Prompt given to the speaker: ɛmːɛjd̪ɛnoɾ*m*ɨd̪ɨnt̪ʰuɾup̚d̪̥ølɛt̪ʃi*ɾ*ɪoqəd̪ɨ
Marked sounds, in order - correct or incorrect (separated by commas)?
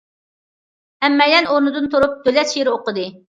incorrect, correct